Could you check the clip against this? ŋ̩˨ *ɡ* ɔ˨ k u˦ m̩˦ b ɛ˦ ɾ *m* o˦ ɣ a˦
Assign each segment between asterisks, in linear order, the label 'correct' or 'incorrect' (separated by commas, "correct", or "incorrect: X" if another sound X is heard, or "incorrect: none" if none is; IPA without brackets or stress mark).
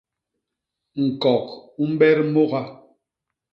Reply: incorrect: k, correct